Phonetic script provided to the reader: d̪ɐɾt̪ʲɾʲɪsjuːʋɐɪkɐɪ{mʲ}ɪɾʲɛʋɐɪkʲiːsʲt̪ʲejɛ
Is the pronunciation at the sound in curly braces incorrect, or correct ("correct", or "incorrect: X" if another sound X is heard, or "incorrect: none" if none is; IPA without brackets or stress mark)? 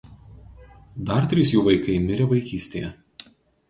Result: correct